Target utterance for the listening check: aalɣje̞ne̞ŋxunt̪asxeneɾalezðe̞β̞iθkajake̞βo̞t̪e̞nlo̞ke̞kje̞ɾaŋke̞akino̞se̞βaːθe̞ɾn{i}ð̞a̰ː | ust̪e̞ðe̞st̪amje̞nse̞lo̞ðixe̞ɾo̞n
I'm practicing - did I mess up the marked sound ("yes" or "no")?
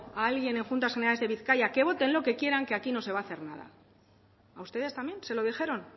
yes